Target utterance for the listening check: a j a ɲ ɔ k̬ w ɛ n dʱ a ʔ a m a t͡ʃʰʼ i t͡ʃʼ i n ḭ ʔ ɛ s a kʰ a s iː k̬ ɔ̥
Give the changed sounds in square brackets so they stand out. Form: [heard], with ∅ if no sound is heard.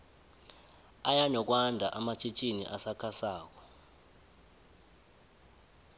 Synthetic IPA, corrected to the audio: a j a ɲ ɔ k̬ w [a] n dʱ a ʔ a m a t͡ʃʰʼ i t͡ʃʼ i n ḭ ʔ [a] s a kʰ a s [aː] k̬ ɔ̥